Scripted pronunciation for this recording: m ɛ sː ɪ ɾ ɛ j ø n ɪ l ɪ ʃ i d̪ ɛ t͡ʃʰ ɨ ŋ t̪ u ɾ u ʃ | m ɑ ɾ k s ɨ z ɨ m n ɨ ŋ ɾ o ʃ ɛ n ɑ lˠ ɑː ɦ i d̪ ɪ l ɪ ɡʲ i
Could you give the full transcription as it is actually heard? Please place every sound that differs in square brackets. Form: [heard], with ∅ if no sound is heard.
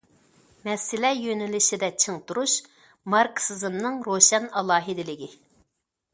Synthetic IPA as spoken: m ɛ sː ɪ [l] ɛ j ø n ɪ l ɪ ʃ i d̪ ɛ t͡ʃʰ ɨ ŋ t̪ u ɾ u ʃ | m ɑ ɾ k s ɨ z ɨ m n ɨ ŋ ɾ o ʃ ɛ n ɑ lˠ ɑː ɦ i d̪ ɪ l ɪ ɡʲ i